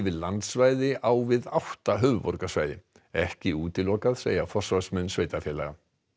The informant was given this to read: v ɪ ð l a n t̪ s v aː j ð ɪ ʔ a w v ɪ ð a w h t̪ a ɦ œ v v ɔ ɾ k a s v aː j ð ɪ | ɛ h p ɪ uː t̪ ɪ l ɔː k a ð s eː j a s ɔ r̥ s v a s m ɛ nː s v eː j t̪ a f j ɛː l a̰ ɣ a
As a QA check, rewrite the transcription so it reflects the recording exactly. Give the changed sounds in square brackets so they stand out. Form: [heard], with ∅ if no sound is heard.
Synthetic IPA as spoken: v ɪ ð l a n t̪ s v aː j ð ɪ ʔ a w v ɪ ð a w h t̪ a ɦ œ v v ɔ ɾ k a s v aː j ð ɪ | ɛ h [c] ɪ uː t̪ ɪ l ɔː k a ð s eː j a [f] ɔ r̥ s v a s m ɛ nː s v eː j t̪ a f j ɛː l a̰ ɣ a